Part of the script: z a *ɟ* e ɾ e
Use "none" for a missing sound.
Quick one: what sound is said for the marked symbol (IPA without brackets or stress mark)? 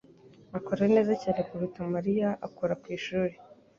c